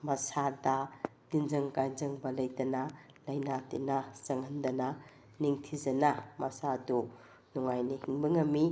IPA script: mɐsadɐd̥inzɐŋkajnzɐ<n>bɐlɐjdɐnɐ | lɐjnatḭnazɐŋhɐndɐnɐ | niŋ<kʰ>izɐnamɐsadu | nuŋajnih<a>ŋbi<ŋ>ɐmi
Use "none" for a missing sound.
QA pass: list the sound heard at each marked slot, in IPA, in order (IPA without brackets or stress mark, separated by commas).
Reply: ŋ, tʰ, i, ŋ